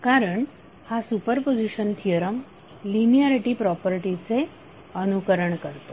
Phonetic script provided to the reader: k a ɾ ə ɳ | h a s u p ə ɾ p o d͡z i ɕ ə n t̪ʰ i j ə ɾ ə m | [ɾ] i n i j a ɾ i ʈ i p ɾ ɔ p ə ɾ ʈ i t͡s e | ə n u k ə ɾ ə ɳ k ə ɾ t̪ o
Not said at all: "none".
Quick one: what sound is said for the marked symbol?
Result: l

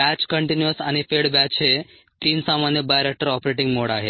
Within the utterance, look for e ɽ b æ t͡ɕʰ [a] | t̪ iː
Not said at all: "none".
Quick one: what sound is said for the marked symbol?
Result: e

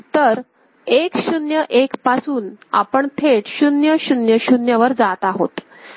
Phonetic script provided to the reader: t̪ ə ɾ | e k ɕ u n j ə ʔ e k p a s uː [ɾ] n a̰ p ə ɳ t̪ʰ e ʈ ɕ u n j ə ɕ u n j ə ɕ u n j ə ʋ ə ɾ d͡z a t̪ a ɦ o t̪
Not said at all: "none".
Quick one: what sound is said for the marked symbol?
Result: none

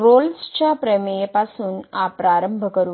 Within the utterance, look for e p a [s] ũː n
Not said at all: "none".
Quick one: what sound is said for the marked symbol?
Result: s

